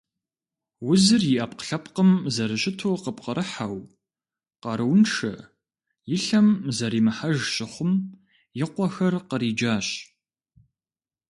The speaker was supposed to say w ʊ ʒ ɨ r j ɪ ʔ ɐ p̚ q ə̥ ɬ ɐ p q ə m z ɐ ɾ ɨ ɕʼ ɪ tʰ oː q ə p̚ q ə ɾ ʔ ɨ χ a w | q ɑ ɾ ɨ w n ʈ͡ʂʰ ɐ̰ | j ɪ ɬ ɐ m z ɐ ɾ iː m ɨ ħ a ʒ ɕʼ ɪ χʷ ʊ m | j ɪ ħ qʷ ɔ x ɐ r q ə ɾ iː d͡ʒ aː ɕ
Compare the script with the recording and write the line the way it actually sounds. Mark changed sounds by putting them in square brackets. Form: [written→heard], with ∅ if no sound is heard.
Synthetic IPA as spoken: w ʊ [ʒ→z] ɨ r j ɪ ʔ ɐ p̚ q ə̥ ɬ ɐ p q ə m z ɐ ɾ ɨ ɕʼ ɪ tʰ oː q ə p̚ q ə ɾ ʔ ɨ [χ→ħ] a w | q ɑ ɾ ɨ w n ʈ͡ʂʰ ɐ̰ | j ɪ ɬ ɐ m z ɐ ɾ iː m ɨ ħ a ʒ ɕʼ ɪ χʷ ʊ m | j ɪ [ħ→∅] qʷ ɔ x ɐ r q ə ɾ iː d͡ʒ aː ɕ

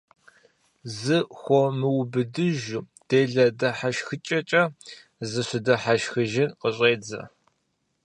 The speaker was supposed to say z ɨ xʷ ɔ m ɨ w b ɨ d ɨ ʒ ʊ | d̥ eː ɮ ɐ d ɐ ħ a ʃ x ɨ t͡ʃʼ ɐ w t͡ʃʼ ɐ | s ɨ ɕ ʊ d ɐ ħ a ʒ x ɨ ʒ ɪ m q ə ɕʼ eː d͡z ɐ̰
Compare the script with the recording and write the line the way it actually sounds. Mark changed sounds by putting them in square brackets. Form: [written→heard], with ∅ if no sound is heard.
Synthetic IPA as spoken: z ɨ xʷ ɔ m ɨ w b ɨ d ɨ ʒ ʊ | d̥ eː ɮ ɐ d ɐ ħ a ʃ x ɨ t͡ʃʼ ɐ [w→∅] t͡ʃʼ ɐ | [s→z] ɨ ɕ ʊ d ɐ ħ a [ʒ→ʃ] x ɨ ʒ ɪ [m→n] q ə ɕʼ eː d͡z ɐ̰

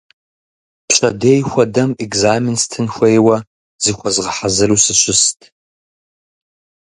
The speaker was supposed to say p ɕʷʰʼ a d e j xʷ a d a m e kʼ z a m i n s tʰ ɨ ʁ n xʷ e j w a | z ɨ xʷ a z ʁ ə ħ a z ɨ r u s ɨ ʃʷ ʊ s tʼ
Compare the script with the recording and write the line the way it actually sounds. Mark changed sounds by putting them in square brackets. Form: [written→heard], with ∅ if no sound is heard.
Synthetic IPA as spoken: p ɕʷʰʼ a d e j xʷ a d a m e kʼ z a m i n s tʰ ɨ [ʁ→∅] n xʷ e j w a | z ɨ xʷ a z ʁ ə ħ a z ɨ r u s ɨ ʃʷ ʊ s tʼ

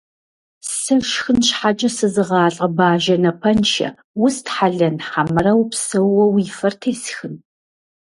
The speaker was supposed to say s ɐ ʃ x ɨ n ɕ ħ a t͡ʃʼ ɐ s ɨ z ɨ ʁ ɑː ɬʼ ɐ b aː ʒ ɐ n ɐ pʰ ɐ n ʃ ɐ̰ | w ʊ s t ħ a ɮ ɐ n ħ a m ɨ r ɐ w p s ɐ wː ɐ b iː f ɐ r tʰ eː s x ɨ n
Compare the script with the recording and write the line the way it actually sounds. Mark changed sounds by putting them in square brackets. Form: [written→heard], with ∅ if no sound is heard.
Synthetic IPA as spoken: s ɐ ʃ x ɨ n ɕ ħ a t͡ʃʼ ɐ s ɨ z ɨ ʁ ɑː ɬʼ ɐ b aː ʒ ɐ n ɐ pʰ ɐ n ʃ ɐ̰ | w ʊ s t ħ a ɮ ɐ n ħ a m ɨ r ɐ w p s ɐ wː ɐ [b→w] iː f ɐ r tʰ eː s x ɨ n

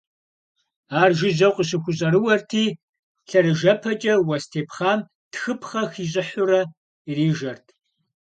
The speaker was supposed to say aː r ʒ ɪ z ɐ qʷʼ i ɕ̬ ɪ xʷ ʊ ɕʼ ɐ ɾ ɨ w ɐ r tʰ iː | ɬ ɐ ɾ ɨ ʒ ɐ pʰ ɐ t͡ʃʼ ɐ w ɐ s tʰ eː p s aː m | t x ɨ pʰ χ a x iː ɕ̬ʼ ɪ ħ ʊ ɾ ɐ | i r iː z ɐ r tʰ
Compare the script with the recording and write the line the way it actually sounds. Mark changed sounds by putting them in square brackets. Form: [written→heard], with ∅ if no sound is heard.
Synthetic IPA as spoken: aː r ʒ ɪ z ɐ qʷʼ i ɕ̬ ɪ xʷ ʊ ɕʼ ɐ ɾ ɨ w ɐ r tʰ iː | ɬ ɐ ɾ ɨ ʒ ɐ pʰ ɐ t͡ʃʼ ɐ w ɐ s tʰ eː p [s→χ] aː m | t x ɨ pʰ χ [a→ɐ] x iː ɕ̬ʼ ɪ ħ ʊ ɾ ɐ | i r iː [z→ʒ] ɐ r tʰ

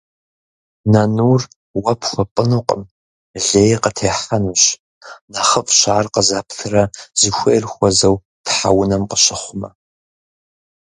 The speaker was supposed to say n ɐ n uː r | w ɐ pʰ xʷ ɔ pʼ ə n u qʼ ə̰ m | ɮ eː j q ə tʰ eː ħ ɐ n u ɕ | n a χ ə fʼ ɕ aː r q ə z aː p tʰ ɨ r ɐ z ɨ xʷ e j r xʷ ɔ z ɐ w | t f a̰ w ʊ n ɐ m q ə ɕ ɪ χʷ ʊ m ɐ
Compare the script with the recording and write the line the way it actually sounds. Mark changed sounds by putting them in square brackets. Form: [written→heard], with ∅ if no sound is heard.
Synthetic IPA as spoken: n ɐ n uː r | w ɐ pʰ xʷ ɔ pʼ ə n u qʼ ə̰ m | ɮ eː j q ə tʰ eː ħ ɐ n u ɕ | n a χ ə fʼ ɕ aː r q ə z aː p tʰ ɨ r ɐ z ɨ xʷ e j r xʷ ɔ z ɐ w | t [f→ħ] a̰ w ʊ n ɐ m q ə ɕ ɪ χʷ ʊ m ɐ

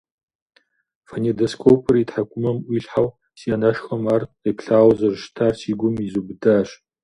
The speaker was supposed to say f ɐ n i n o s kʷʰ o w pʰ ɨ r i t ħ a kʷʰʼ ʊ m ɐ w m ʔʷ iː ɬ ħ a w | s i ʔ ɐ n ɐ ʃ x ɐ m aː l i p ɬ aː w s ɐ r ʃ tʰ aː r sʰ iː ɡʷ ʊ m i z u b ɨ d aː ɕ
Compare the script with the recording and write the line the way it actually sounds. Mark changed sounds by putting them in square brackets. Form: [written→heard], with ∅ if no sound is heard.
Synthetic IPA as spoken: f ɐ n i [n→d] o s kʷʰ o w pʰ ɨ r i t ħ a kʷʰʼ ʊ m ɐ [w→∅] m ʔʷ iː ɬ ħ a w | s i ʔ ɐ n ɐ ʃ x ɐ m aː [l→r] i p ɬ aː w [s→z] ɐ r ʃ tʰ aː r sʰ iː ɡʷ ʊ m i z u b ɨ d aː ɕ

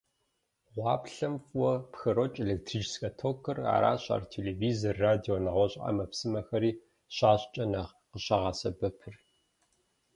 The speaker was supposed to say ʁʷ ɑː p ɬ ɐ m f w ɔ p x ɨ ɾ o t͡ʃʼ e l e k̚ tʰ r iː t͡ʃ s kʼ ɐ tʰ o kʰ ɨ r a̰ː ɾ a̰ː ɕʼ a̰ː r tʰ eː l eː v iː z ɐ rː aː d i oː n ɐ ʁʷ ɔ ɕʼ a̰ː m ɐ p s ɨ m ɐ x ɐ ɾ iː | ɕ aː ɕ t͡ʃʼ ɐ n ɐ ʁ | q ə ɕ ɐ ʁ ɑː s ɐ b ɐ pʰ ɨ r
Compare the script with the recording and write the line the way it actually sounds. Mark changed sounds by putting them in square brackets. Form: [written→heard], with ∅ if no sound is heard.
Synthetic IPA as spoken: ʁʷ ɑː p ɬ ɐ m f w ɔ p x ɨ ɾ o t͡ʃʼ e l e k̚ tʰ r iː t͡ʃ s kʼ ɐ tʰ o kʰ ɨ r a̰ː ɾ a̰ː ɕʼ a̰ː r tʰ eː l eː v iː z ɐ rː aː d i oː n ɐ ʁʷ ɔ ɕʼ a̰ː m ɐ p s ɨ m ɐ x ɐ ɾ iː | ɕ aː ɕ t͡ʃʼ ɐ n ɐ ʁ | q ə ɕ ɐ ʁ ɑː s ɐ b ɐ pʰ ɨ r

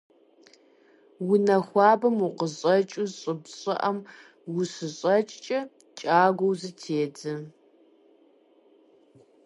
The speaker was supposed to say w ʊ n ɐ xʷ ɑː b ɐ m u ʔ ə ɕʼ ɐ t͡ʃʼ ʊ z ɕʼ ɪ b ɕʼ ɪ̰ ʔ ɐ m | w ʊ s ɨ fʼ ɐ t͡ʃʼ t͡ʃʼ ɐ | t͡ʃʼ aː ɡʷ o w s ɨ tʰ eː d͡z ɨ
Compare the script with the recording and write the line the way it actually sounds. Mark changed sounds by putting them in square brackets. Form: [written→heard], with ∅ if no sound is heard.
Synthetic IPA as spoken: w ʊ n ɐ xʷ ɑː b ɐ m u [ʔ→q] ə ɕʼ ɐ t͡ʃʼ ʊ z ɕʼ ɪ b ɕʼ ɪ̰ ʔ ɐ m | w ʊ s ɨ [fʼ→ɕʼ] ɐ t͡ʃʼ t͡ʃʼ ɐ | t͡ʃʼ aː ɡʷ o w [s→z] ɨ tʰ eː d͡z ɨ

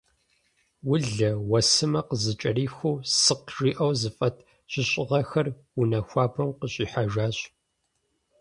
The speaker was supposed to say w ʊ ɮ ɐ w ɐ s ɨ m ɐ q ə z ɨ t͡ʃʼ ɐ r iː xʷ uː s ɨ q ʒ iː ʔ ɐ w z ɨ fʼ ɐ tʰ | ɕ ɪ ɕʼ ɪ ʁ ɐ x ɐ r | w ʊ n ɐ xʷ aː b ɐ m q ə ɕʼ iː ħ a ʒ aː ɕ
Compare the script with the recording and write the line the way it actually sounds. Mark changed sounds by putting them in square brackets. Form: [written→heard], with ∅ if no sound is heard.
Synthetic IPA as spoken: w ʊ ɮ ɐ w ɐ s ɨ m ɐ q ə z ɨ t͡ʃʼ ɐ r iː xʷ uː s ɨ q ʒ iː ʔ ɐ w z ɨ fʼ ɐ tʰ | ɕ ɪ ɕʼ ɪ ʁ ɐ x ɐ r | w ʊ n ɐ xʷ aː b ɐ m q ə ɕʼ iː ħ a ʒ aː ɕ

